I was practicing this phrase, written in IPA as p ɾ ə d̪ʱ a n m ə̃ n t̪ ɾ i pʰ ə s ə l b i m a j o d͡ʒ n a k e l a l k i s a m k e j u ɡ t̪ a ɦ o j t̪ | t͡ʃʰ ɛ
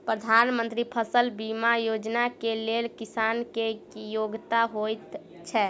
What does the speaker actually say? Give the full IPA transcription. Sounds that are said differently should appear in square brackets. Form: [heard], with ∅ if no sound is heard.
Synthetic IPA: p ɾ ə d̪ʱ a n m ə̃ n t̪ ɾ i pʰ ə s ə l b i m a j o d͡ʒ n a k e l [e] l k i s a [n] k e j [o] ɡ t̪ a ɦ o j t̪ | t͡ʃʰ ɛ